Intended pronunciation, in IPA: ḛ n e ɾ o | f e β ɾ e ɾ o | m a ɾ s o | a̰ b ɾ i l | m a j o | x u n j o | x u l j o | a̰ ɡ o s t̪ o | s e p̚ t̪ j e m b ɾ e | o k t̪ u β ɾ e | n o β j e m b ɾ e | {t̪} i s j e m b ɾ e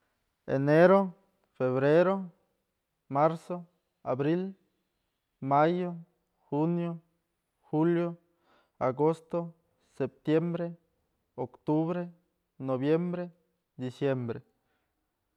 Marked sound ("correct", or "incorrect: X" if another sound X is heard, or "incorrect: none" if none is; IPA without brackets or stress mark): incorrect: d̪